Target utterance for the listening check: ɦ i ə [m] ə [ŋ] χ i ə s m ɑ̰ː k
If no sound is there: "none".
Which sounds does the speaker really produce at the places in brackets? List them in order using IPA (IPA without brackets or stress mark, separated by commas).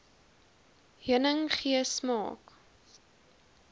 n, ŋ